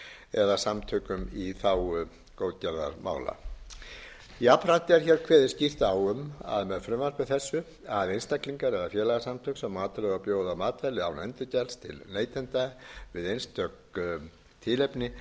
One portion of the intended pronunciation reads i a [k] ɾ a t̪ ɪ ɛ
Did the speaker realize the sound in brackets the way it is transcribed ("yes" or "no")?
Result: no